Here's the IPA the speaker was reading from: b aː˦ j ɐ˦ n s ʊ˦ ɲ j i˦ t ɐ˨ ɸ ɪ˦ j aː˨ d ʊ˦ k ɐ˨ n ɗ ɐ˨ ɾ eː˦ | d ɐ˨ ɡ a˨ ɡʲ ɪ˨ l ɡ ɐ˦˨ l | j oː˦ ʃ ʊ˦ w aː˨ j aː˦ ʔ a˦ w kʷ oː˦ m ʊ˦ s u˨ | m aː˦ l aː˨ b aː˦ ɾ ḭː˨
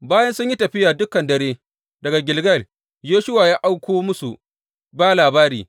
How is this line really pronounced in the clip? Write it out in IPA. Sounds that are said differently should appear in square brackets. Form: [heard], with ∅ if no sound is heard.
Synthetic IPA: b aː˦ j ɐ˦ n s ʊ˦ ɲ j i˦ t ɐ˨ ɸ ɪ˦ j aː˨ d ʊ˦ k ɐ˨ n [d] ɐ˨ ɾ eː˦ | d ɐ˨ ɡ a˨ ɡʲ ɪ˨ l ɡ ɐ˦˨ l | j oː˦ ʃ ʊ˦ w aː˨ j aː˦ ʔ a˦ w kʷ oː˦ m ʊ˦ s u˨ | [b] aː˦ l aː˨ b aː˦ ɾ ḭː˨

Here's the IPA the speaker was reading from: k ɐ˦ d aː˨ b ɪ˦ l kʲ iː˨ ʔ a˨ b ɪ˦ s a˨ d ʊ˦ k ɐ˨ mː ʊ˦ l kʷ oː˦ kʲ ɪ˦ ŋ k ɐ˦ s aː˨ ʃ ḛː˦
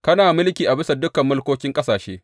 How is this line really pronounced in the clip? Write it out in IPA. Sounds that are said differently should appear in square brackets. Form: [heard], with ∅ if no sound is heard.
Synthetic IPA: k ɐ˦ [n] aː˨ [m] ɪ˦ l kʲ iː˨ ʔ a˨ b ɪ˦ s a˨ d ʊ˦ k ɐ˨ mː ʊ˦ l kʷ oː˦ kʲ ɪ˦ ŋ [kʼ] ɐ˦ s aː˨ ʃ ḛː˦

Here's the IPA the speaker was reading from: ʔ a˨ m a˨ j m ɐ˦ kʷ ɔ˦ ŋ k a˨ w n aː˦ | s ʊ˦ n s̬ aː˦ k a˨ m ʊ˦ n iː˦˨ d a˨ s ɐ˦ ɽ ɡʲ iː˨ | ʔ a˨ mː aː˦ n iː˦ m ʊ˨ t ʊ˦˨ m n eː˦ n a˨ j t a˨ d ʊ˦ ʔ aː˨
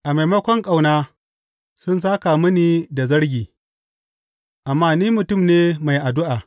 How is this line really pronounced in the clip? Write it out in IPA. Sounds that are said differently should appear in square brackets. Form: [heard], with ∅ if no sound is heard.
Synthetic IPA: ʔ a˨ m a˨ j m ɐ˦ kʷ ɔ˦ ŋ [kʼ] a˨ w n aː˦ | s ʊ˦ n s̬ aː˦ k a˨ m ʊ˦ n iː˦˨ d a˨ [z] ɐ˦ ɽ ɡʲ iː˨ | ʔ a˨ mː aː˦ n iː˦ m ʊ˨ t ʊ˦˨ m n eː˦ [m] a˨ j [ʔ] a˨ d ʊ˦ ʔ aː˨

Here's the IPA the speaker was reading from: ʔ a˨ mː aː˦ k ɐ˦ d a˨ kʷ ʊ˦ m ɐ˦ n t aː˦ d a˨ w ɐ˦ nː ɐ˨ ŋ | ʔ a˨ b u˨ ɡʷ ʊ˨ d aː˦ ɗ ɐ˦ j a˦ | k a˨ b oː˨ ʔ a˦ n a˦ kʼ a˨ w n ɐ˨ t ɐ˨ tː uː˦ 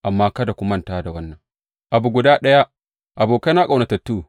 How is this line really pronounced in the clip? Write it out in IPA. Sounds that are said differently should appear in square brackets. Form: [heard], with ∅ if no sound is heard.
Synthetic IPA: ʔ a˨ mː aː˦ k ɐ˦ d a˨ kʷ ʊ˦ m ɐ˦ n t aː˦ d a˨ w ɐ˦ nː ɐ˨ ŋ | ʔ a˨ b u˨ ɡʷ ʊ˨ d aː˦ ɗ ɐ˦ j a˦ | [ʔ] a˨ b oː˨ [k] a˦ n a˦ kʼ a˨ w n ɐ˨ t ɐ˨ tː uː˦

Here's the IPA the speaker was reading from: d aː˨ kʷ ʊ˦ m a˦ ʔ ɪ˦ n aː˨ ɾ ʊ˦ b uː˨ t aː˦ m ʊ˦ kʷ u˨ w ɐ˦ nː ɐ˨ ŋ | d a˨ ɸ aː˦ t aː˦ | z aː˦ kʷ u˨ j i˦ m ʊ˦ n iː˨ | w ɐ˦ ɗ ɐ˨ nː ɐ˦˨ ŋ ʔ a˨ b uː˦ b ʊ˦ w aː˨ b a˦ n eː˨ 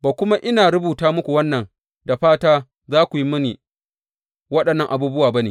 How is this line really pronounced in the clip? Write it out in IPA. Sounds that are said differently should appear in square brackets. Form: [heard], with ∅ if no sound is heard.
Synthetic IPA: [b] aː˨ kʷ ʊ˦ m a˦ ʔ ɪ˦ n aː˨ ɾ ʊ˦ b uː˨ t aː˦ m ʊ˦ kʷ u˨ w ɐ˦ nː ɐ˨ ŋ | d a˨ ɸ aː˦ t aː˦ | z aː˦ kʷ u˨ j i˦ m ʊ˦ n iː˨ | w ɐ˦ ɗ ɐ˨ nː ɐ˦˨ ŋ ʔ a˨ b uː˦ b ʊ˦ w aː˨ b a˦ n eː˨

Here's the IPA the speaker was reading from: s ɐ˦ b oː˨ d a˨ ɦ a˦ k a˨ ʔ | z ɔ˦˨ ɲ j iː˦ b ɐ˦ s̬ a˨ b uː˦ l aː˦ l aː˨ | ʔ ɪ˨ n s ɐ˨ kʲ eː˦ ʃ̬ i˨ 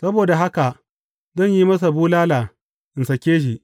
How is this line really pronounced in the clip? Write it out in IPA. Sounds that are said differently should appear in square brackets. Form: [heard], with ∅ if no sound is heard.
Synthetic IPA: s ɐ˦ b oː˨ d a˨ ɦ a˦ k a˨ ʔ | z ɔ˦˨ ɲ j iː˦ [m] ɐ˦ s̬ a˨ b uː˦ l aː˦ l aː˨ | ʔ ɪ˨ n s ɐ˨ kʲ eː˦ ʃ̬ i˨

